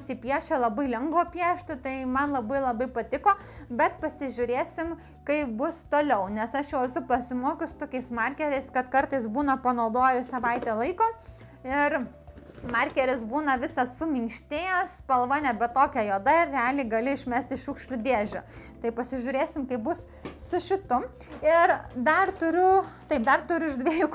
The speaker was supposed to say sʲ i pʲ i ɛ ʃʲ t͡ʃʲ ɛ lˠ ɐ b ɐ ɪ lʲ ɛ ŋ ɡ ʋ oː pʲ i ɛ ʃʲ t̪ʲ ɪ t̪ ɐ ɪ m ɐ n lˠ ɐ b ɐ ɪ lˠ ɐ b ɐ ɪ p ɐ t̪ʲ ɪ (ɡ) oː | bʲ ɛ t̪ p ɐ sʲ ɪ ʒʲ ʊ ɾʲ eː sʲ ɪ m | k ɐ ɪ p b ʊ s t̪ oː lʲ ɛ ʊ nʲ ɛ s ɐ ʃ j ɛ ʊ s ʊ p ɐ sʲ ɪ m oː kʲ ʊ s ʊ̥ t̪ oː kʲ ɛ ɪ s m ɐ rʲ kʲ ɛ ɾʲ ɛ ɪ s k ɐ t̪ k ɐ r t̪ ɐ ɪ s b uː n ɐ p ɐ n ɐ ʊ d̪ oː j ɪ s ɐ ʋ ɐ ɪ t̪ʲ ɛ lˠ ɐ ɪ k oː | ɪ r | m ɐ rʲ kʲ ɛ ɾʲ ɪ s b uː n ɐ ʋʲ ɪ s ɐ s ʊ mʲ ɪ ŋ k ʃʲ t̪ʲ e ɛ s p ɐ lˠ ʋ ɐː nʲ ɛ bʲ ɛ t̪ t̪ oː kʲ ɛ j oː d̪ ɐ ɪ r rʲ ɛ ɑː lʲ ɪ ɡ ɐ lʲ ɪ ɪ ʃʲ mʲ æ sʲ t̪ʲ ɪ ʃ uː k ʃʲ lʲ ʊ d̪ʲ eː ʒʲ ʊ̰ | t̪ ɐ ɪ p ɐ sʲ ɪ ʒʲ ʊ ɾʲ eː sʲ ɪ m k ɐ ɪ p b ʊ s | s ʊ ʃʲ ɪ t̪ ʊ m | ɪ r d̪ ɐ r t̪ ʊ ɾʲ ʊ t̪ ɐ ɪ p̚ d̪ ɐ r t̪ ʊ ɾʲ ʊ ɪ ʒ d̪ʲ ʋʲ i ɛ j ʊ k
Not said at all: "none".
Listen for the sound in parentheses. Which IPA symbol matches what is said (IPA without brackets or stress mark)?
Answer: k